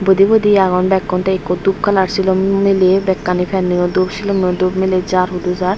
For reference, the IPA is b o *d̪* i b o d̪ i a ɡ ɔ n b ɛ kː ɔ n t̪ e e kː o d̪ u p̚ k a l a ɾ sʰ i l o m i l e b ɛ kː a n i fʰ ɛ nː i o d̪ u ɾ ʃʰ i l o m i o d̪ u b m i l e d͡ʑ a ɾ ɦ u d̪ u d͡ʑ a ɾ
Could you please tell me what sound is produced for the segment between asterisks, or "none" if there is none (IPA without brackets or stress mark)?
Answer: d̪